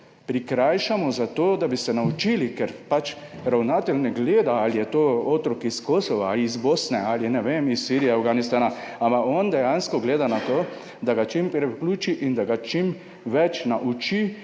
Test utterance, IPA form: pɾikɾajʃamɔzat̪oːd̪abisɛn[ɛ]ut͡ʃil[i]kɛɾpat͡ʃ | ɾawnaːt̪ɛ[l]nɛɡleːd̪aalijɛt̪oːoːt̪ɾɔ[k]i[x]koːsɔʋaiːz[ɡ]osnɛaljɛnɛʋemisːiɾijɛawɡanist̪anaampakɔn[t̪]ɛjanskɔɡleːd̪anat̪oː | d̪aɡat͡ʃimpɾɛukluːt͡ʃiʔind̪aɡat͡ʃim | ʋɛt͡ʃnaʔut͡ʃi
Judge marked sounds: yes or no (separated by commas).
no, yes, yes, yes, no, no, no